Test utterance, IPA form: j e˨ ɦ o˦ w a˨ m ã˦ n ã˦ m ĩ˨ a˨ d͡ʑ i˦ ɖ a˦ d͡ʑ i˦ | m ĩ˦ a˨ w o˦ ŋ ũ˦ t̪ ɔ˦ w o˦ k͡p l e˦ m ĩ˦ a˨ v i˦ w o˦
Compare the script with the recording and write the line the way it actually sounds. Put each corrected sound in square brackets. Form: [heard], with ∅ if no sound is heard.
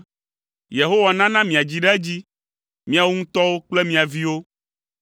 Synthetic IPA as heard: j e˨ ɦ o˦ w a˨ [n] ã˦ n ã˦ m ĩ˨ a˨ d͡ʑ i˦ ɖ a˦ d͡ʑ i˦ | m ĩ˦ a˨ w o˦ ŋ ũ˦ t̪ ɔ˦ w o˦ k͡p l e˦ m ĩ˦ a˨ v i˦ w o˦